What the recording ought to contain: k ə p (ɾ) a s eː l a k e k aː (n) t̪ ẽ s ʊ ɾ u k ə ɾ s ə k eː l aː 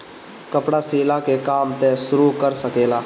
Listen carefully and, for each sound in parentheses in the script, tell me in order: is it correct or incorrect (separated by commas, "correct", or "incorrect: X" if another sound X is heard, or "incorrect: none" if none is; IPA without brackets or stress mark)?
incorrect: ɽ, incorrect: m